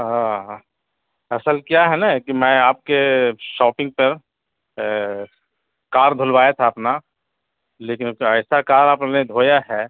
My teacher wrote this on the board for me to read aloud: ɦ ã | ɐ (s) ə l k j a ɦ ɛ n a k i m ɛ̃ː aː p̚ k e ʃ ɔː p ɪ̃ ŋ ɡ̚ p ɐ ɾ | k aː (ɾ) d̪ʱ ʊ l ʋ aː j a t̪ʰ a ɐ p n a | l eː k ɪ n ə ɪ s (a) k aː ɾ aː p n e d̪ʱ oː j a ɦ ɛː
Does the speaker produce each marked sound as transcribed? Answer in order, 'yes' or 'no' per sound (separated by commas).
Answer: yes, yes, yes